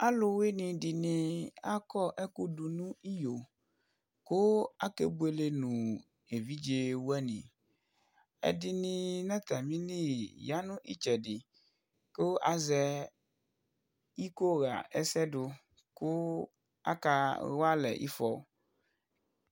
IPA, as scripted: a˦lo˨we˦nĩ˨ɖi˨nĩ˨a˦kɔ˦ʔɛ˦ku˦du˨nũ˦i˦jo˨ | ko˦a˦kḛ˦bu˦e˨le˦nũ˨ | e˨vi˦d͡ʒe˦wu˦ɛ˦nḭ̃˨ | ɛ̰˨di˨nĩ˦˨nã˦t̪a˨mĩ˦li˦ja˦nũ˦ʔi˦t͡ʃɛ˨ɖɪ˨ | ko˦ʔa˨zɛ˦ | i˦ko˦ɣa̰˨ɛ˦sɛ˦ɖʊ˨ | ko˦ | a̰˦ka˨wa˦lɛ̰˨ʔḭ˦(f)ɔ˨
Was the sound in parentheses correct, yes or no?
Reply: yes